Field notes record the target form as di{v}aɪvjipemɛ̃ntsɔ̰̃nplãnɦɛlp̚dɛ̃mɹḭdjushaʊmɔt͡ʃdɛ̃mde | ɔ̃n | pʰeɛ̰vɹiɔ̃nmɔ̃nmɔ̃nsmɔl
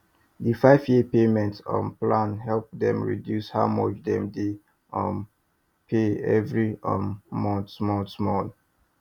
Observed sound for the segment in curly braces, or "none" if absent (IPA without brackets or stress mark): f